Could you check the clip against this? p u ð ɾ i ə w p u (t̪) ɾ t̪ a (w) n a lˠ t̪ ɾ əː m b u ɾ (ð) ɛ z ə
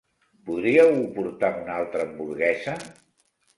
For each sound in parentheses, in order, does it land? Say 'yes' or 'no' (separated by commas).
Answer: no, no, no